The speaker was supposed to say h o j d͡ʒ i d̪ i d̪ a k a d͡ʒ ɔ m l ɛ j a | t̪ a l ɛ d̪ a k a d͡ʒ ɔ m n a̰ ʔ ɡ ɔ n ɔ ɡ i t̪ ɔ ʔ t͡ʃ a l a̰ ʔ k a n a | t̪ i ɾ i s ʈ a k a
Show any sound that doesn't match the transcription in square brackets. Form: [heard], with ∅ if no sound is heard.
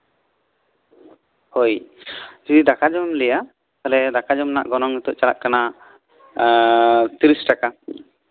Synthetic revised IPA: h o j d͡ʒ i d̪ i d̪ a k a d͡ʒ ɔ m l ɛ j a | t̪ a l ɛ d̪ a k a d͡ʒ ɔ m n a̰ ʔ ɡ ɔ n ɔ [ŋ] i t̪ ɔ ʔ t͡ʃ a l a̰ ʔ k a n a | t̪ i ɾ i s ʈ a k a